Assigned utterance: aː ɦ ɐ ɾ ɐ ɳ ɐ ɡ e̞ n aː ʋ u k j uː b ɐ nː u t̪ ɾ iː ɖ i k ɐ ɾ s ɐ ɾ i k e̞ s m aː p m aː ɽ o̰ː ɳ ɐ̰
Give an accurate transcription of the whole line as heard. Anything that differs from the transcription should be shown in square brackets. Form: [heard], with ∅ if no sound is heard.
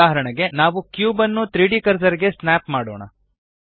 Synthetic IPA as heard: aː ɦ ɐ ɾ ɐ ɳ ɐ ɡ e̞ n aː ʋ u k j uː b ɐ nː u t̪ ɾ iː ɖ i k ɐ ɾ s ɐ ɾ i [ɡ] e̞ s [n] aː p m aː ɽ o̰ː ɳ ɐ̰